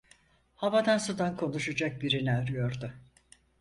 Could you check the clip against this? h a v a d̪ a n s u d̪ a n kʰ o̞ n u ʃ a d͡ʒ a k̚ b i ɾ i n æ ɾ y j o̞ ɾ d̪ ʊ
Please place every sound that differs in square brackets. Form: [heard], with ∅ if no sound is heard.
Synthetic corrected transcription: h a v a d̪ a n s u d̪ a n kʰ o̞ n u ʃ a d͡ʒ a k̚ b i ɾ i n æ ɾ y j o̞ ɾ d̪ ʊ

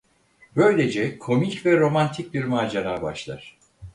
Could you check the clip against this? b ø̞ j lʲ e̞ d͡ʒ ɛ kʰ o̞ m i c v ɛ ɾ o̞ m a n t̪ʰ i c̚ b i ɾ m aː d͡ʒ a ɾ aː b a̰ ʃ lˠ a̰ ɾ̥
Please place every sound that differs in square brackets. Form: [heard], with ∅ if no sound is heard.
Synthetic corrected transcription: b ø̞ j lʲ e̞ d͡ʒ ɛ kʰ o̞ m i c v ɛ ɾ o̞ m a n t̪ʰ i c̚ b i ɾ m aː d͡ʒ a ɾ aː b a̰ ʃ lˠ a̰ ɾ̥

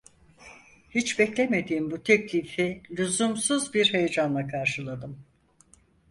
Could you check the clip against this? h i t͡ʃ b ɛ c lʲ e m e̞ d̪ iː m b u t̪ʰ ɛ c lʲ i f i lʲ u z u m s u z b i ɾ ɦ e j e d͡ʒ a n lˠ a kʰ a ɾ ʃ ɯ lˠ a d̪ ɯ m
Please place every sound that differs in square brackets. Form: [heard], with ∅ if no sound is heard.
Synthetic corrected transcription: h i t͡ʃ b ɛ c lʲ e m e̞ d̪ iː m b u t̪ʰ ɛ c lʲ i f i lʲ u z u m s u z b i ɾ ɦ e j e d͡ʒ a n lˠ a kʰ a ɾ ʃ ɯ lˠ a d̪ ɯ m

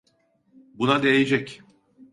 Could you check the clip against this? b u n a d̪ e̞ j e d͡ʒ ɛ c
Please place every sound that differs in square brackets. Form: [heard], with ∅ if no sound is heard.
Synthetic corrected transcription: b u n a d̪ e̞ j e d͡ʒ ɛ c

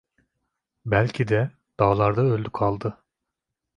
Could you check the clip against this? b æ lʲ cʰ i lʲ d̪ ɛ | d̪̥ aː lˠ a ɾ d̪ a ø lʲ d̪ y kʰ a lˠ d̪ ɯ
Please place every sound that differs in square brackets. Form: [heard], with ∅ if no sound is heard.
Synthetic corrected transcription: b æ lʲ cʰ i [∅] d̪ ɛ | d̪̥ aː lˠ a ɾ d̪ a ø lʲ d̪ y kʰ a lˠ d̪ ɯ

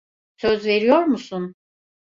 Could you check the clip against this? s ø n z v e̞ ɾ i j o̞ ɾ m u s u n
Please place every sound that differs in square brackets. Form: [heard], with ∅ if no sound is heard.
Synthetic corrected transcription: s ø [∅] z v e̞ ɾ i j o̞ ɾ m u s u n

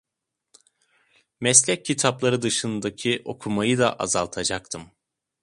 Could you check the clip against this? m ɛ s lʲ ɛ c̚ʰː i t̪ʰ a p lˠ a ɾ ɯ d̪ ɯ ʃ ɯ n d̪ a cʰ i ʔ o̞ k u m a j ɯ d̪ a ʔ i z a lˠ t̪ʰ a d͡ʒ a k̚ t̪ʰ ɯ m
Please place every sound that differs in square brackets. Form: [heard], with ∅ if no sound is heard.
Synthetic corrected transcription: m ɛ s lʲ ɛ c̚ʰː i t̪ʰ a p lˠ a ɾ ɯ d̪ ɯ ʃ ɯ n d̪ a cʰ i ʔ o̞ [kʰ] u m a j ɯ d̪ a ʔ [a] z a lˠ t̪ʰ a d͡ʒ a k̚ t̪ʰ ɯ m

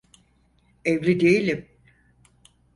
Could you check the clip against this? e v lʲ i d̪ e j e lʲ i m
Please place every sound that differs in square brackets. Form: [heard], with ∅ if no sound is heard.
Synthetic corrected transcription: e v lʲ i d̪ e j [i] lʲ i m

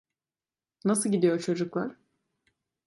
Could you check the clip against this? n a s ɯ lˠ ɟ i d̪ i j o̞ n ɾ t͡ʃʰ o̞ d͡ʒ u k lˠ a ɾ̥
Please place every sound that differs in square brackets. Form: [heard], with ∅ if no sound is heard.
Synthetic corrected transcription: n a s ɯ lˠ ɟ i d̪ i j o̞ [∅] ɾ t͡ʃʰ o̞ d͡ʒ u k lˠ a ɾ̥

